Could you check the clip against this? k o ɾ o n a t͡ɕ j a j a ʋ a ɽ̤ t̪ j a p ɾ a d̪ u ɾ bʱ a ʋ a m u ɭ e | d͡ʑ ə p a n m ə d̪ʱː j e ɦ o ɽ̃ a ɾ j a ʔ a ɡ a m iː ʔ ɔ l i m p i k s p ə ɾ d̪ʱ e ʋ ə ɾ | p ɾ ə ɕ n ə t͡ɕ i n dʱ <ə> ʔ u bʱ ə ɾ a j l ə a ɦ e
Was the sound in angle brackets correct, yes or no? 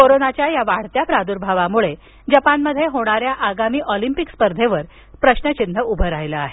yes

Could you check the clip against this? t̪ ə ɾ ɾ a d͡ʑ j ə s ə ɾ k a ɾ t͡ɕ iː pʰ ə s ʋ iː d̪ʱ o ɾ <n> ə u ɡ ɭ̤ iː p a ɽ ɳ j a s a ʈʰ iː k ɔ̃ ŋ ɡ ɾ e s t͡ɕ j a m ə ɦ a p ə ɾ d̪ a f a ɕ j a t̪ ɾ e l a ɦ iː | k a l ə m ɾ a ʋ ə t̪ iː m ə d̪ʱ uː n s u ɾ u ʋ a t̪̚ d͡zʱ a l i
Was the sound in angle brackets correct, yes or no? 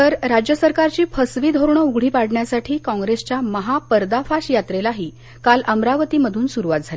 no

